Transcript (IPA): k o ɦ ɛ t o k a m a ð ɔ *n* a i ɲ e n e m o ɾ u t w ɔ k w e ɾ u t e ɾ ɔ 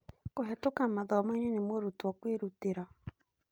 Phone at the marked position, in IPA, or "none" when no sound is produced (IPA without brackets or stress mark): m